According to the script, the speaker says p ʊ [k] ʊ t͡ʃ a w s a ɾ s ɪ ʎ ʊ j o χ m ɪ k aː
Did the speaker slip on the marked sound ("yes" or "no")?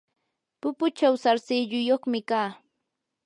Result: yes